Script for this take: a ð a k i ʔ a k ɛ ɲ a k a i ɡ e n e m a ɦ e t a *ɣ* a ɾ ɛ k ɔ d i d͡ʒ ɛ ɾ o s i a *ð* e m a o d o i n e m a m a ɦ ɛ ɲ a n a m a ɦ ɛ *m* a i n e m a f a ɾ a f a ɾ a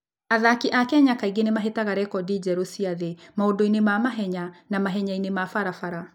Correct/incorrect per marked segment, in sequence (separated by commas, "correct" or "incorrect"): correct, correct, incorrect